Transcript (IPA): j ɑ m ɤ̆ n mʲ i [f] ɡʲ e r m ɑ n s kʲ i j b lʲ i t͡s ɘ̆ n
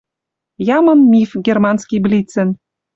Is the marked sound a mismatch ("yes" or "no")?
no